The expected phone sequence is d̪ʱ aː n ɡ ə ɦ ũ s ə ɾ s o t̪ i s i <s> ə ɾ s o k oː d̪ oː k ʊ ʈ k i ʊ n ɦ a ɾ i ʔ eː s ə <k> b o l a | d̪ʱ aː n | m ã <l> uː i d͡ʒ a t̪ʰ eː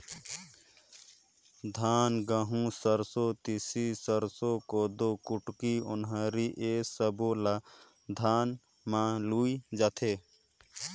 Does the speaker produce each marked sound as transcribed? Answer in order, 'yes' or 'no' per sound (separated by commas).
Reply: yes, no, yes